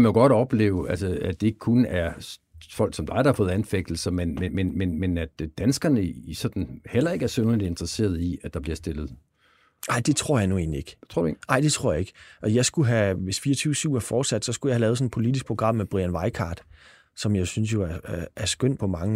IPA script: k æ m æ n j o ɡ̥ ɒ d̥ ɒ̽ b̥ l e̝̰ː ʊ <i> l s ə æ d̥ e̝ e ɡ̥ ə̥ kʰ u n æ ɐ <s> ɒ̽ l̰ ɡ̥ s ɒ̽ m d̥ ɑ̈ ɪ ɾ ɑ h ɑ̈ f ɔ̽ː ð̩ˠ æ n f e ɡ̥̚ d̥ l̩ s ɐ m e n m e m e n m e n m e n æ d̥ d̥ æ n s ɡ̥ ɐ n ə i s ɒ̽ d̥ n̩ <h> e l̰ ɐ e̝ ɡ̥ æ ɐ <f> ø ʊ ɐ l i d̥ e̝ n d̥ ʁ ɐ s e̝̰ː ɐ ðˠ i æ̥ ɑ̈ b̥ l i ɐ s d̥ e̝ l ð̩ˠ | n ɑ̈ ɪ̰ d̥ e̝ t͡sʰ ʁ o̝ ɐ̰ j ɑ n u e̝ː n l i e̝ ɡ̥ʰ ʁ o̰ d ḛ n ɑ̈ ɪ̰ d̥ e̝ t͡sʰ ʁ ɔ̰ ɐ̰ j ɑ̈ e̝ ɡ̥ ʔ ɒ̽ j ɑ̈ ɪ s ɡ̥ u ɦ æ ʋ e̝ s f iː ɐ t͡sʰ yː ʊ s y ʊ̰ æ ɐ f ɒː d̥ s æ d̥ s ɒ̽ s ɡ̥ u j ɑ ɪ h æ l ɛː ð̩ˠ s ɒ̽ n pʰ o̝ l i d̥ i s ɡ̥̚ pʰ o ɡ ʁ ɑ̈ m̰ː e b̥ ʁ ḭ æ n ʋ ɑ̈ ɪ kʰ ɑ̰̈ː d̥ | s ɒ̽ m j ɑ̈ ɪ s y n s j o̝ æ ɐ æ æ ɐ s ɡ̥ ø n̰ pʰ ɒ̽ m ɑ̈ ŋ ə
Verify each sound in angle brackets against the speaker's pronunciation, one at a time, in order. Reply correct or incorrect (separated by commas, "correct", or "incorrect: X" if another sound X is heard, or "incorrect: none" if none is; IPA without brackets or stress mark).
incorrect: æ, incorrect: f, correct, incorrect: s